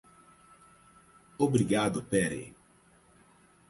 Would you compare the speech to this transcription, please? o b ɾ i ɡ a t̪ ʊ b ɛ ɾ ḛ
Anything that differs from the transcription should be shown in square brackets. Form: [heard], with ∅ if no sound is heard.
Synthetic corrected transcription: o b ɾ i ɡ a [d̪] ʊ [p] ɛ ɾ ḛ